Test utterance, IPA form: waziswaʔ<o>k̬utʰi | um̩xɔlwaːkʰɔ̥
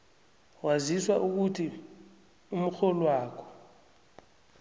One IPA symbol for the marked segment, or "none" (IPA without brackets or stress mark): u